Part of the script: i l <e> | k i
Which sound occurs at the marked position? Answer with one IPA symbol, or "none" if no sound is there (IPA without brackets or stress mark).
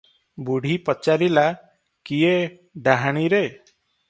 a